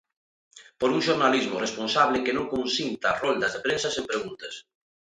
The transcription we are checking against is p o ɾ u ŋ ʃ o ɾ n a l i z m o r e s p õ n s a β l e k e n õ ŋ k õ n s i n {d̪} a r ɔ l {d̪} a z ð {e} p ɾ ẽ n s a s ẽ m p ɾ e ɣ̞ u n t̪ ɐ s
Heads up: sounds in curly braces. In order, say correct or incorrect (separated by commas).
incorrect, correct, correct